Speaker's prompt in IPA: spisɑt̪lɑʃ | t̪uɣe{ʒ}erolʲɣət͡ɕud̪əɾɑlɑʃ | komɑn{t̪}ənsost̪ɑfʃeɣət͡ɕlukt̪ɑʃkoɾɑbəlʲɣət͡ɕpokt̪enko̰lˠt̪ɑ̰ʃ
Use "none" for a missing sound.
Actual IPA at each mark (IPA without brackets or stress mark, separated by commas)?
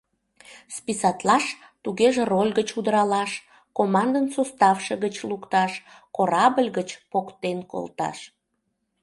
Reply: ʒ, d̪